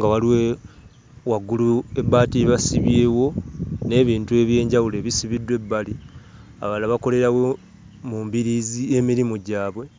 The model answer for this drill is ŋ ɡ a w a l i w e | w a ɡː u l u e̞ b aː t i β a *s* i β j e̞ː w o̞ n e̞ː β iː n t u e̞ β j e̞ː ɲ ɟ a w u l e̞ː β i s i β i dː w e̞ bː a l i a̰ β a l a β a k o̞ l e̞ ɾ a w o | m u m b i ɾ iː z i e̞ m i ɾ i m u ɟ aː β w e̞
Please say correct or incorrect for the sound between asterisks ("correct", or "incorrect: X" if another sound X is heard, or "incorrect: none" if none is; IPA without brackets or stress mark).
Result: correct